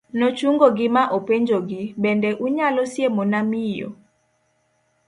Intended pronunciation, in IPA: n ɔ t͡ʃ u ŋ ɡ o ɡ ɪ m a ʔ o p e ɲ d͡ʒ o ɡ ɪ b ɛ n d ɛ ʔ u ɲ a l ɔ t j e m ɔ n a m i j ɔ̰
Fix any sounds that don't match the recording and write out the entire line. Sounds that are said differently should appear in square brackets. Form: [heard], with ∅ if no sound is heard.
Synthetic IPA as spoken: n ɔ t͡ʃ u ŋ ɡ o ɡ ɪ m a ʔ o p e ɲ d͡ʒ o ɡ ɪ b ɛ n d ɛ ʔ u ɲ a l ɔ [s] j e m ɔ n a m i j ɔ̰